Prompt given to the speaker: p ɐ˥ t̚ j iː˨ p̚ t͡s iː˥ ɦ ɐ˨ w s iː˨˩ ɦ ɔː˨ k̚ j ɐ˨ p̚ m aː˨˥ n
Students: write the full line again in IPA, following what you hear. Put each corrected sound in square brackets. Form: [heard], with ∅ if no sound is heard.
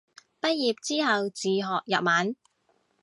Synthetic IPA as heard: p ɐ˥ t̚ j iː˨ p̚ t͡s iː˥ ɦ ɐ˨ w [t͡s] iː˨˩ ɦ ɔː˨ k̚ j ɐ˨ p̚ m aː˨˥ n